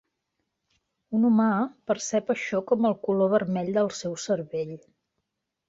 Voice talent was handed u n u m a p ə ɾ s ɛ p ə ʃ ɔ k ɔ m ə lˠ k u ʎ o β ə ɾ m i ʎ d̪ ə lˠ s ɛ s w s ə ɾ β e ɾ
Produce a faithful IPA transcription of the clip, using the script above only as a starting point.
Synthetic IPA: u n u m a p ə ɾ s ɛ p ə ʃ ɔ k ɔ m ə lˠ k u l o β ə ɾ m ɛ ʎ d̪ ə lˠ s ɛ w s ə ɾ β e ʎ